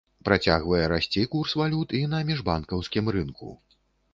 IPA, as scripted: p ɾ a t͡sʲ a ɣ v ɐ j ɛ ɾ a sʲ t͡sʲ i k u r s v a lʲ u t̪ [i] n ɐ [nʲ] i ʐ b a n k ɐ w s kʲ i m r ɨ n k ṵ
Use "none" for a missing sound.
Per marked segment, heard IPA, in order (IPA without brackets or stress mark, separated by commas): i, mʲ